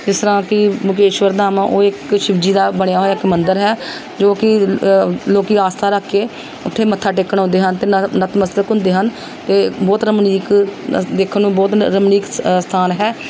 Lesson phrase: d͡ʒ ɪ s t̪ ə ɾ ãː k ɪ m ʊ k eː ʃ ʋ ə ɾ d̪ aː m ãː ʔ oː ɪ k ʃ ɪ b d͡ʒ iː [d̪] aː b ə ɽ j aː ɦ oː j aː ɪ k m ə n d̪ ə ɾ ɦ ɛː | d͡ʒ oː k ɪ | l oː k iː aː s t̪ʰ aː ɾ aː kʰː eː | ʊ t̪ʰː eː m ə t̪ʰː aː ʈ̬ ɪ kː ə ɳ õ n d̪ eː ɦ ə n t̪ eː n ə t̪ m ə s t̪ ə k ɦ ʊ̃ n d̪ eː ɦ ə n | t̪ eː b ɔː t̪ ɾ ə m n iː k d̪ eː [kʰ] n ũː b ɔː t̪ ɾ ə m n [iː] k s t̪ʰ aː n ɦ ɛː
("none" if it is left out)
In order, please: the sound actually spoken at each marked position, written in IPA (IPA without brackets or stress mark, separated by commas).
d̪, kʰ, iː